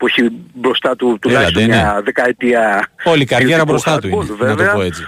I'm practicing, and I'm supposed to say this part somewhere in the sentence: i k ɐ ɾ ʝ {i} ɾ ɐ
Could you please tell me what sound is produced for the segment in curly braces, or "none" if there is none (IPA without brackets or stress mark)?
e